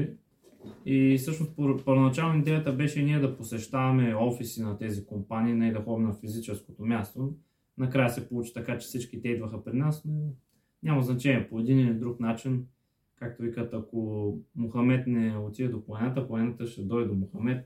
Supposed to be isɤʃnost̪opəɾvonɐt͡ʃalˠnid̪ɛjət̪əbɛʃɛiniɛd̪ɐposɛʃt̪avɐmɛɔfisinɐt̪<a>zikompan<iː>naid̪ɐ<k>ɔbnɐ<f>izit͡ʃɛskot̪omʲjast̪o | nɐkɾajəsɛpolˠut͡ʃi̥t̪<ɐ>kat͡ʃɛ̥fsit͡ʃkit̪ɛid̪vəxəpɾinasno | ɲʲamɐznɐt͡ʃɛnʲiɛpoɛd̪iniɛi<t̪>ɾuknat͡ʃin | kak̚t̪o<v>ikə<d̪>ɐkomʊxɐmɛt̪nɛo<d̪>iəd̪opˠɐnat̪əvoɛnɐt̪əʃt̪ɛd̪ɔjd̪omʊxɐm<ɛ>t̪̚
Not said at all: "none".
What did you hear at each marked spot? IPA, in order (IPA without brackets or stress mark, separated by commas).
ɛ, iː, x, f, ɐ, d̪, v, t̪, t̪, ɛ